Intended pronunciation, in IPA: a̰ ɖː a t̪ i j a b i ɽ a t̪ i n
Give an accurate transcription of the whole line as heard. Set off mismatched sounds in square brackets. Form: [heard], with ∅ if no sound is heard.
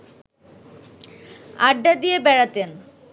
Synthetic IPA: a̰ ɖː a [d̪] i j [e] b [ɛ] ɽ a t̪ [e] n

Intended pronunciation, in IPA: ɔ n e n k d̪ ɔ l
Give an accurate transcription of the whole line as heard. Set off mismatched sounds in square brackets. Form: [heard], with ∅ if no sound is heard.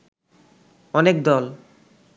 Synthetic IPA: ɔ n e [∅] k d̪ ɔ l

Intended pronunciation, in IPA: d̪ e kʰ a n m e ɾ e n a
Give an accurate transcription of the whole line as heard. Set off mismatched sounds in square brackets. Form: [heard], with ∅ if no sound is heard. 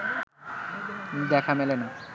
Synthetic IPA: d̪ [ɛ] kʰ a [∅] m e [l] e n a

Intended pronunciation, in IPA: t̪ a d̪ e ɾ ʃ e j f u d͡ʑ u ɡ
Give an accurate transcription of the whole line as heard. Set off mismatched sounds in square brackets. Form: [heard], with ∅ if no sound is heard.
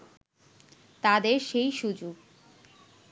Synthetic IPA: t̪ a d̪ e ɾ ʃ e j [ʃ] u d͡ʑ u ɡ

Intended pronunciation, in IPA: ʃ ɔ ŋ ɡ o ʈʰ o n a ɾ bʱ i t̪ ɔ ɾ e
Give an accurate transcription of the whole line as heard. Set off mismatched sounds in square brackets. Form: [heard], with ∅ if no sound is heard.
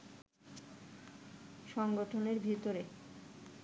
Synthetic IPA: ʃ ɔ ŋ ɡ o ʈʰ o n [e] ɾ bʱ i t̪ [o] ɾ e

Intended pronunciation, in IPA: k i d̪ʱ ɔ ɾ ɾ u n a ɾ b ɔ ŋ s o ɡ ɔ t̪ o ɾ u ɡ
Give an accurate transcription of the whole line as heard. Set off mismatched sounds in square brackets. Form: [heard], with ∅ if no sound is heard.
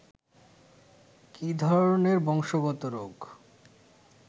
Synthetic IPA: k i d̪ʱ ɔ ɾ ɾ [o] n [e] ɾ b ɔ ŋ [ʃ] o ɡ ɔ t̪ o ɾ [o] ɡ

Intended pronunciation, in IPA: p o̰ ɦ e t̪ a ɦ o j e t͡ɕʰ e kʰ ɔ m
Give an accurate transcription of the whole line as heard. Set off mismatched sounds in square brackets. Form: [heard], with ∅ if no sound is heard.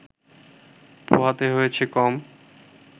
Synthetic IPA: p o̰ ɦ [a] t̪ [e] ɦ o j e t͡ɕʰ e [k] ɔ m

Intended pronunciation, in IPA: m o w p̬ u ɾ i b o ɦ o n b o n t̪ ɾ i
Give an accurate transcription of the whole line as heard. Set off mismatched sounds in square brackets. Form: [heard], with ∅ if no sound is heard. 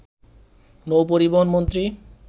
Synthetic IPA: [n] o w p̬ [o] ɾ i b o ɦ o n [m] o n t̪ ɾ i

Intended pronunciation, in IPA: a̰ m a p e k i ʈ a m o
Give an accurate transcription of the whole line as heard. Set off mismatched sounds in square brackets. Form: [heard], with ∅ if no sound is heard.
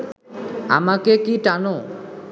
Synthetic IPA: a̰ m a [k] e k i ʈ a [n] o

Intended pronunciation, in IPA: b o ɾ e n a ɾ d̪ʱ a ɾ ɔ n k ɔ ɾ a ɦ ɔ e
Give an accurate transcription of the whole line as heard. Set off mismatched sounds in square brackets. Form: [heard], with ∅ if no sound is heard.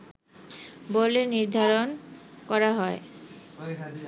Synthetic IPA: b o [l] e n [i] ɾ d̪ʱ a ɾ [o] n k ɔ ɾ a ɦ ɔ e

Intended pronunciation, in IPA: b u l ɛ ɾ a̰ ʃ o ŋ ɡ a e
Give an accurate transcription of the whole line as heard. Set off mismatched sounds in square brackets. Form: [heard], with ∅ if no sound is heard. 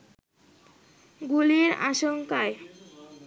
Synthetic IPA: [ɡ] u l [i] ɾ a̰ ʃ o ŋ [k] a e

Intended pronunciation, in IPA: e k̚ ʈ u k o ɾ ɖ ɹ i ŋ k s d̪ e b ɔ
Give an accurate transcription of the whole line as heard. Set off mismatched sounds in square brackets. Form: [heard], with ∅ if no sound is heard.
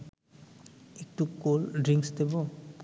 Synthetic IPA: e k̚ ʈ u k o [l] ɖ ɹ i ŋ k s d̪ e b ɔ

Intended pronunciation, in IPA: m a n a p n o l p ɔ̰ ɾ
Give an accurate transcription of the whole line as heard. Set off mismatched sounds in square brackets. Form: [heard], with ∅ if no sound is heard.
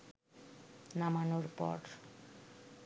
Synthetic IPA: [n] a [m] a [∅] n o [ɾ] p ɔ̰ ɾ

